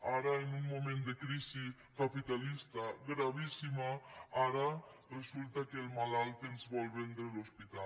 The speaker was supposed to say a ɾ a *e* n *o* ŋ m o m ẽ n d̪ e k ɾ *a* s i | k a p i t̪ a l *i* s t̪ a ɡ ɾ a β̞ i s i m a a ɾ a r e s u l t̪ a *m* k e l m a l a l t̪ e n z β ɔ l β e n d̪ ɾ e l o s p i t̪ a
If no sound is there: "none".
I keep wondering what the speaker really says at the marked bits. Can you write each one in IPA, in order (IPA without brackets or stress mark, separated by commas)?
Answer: e, u, i, i, none